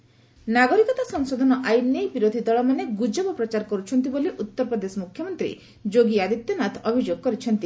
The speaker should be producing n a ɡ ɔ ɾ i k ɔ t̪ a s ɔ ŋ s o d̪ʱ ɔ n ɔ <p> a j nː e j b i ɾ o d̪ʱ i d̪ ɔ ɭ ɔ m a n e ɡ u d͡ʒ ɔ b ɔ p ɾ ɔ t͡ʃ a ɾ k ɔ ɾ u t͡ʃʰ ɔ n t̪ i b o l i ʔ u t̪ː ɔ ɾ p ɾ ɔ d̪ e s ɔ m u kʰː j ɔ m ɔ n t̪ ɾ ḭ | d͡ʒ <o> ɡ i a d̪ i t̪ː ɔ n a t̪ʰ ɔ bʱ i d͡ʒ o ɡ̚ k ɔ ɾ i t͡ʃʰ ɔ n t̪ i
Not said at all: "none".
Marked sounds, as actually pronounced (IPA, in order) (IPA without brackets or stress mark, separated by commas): ʔ, o